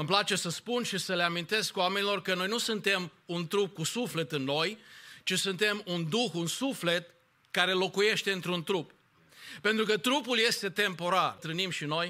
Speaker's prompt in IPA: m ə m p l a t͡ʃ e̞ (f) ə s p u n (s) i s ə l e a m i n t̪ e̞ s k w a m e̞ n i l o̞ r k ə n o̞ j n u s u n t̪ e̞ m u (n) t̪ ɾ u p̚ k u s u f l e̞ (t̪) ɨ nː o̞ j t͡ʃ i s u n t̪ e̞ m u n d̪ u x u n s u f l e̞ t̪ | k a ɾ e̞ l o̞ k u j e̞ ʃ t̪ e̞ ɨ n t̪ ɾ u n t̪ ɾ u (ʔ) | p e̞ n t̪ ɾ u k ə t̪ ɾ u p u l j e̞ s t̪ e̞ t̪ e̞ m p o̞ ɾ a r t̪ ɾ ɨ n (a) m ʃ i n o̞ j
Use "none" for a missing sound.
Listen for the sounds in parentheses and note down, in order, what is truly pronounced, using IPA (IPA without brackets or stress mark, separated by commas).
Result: s, ʃ, n, t̪, p, i